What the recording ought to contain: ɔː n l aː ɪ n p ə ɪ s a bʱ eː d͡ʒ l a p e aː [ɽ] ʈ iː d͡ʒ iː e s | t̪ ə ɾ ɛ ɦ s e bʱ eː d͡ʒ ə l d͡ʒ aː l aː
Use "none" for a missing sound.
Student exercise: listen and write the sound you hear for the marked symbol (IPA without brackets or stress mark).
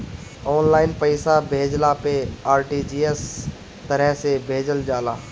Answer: ɾ